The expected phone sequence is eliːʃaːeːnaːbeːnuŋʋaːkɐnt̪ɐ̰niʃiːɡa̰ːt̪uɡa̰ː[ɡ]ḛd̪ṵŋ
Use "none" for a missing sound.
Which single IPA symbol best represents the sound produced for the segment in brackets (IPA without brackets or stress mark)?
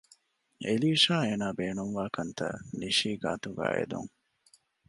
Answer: none